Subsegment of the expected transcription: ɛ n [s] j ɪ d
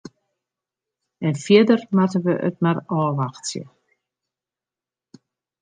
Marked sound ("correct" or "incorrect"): incorrect